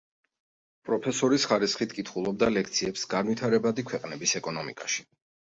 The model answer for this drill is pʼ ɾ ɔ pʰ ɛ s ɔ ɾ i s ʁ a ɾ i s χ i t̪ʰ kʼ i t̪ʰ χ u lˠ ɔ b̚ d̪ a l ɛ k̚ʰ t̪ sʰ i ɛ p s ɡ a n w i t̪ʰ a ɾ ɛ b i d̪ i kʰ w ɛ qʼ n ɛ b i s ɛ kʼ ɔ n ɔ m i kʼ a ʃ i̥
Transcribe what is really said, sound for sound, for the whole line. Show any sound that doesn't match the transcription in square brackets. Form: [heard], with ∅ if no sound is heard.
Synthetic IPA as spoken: pʼ ɾ ɔ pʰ ɛ s ɔ ɾ i s [χ] a ɾ i s χ i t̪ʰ kʼ i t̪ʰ χ u lˠ ɔ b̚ d̪ a l ɛ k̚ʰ t̪ sʰ i ɛ p s ɡ a n w i t̪ʰ a ɾ ɛ b [a] d̪ i kʰ w ɛ qʼ n ɛ b i s ɛ kʼ ɔ n ɔ m i kʼ a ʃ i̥